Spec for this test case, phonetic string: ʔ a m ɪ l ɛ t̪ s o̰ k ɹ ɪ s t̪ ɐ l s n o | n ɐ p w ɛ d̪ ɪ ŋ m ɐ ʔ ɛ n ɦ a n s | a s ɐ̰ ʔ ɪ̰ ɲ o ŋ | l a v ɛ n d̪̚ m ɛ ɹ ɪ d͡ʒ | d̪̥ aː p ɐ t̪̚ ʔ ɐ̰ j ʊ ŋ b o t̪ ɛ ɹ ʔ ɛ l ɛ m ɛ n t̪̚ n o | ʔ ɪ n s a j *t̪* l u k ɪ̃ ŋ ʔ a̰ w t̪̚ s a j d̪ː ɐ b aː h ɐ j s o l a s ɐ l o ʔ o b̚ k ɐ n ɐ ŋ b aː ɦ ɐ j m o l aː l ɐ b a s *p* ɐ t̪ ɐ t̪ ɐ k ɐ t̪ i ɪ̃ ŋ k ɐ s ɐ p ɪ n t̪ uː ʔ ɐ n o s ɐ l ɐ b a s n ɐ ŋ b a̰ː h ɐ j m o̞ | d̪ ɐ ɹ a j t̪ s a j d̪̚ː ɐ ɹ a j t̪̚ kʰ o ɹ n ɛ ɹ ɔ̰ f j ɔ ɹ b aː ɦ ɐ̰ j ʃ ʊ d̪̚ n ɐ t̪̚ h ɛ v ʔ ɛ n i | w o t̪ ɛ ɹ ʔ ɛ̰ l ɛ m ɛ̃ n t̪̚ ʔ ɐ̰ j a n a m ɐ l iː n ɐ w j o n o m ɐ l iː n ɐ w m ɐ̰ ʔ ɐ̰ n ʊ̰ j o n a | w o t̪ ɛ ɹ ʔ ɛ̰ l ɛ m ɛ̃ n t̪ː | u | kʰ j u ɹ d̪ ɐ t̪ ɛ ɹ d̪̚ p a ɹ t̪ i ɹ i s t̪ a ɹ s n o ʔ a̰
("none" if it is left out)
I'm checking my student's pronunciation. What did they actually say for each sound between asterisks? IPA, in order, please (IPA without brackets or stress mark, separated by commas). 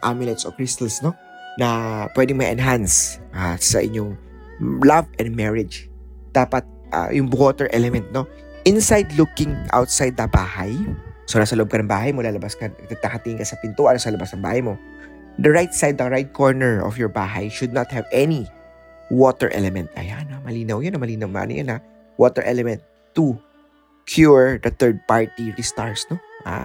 d̪, k